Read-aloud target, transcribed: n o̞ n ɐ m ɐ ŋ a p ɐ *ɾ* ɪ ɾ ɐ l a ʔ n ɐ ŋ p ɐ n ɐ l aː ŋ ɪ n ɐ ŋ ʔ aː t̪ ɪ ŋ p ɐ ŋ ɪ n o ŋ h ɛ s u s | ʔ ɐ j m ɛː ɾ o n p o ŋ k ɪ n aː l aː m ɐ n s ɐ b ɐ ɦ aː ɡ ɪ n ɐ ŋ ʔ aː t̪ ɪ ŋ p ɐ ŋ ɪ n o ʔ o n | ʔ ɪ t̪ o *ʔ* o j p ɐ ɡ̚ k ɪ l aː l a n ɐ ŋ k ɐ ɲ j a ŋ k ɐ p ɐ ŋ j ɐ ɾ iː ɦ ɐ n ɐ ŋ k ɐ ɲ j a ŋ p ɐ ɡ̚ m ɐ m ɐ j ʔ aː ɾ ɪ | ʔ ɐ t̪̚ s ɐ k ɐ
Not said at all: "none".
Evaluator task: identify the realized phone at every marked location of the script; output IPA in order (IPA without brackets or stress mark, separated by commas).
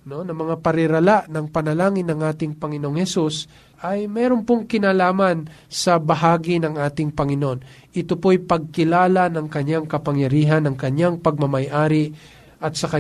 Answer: ɾ, p